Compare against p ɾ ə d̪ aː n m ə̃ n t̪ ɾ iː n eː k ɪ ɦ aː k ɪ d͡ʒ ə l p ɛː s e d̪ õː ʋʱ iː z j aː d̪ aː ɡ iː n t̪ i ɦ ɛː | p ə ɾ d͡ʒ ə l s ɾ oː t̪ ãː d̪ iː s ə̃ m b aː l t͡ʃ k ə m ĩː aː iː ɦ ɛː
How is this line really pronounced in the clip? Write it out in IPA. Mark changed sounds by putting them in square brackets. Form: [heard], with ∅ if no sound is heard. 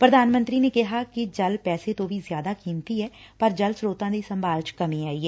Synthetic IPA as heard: p ɾ ə d̪ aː n m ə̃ n t̪ ɾ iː n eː k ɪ ɦ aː k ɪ d͡ʒ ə l p ɛː s e [t̪] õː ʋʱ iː z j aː d̪ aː [k] iː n t̪ i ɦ ɛː | p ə ɾ d͡ʒ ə l s ɾ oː t̪ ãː d̪ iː s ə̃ m b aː l t͡ʃ k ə m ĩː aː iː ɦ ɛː